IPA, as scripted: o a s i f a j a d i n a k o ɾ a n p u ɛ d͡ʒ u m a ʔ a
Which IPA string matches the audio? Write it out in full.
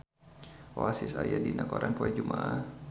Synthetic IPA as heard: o a s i s a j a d i n a k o ɾ a n p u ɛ d͡ʒ u m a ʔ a